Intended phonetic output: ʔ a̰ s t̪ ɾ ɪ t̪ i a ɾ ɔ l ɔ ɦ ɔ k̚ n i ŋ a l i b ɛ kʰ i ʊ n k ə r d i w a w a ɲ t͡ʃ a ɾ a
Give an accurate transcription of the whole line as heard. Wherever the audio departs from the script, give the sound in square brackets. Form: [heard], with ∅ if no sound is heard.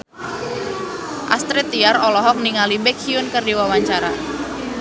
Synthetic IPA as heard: ʔ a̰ s t̪ ɾ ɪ t̪ i a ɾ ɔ l ɔ ɦ ɔ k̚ n i ŋ a l i b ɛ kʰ i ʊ n k ə r d i w a w a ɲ t͡ʃ a ɾ a